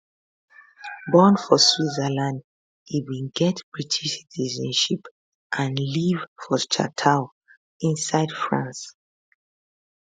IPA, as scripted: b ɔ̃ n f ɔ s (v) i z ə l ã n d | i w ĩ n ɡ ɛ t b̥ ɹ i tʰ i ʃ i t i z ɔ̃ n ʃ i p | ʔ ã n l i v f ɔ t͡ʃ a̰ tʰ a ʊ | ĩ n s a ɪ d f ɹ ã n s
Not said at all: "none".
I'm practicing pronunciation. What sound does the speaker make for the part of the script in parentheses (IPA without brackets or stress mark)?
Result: w